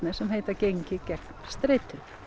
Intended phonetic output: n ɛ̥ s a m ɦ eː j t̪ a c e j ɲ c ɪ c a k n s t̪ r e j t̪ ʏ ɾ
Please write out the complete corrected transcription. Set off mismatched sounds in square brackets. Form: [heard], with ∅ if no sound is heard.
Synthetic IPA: n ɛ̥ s [ɛ] m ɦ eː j t̪ a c e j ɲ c ɪ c [ɛ] k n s t̪ [ɾ] e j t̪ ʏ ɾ